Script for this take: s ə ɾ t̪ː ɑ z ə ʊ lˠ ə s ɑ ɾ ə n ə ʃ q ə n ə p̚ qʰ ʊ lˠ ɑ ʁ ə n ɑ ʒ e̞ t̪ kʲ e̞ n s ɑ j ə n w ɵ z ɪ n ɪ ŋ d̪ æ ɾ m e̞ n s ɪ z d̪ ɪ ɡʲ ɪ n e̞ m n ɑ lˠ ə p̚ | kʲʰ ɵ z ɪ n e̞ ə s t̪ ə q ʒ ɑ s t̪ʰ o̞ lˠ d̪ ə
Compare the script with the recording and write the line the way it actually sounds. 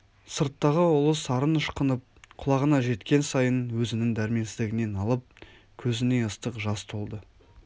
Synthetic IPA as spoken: s ə ɾ t̪ː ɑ ʁ ə ʊ lˠ ə s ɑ ɾ ə n ə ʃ q ə n ə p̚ qʰ ʊ lˠ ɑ ʁ ə n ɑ ʒ e̞ t̪ kʲ e̞ n s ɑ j ə n w ɵ z ɪ n ɪ ŋ d̪ æ ɾ m e̞ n s ɪ z d̪ ɪ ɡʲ ɪ n e̞ n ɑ lˠ ə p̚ | kʲʰ ɵ z ɪ n e̞ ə s t̪ ə q ʒ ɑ s t̪ʰ o̞ lˠ d̪ ə